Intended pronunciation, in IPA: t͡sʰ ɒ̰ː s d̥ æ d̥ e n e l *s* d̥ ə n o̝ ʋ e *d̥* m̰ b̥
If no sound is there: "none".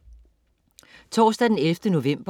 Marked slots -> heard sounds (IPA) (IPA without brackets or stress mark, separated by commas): f, none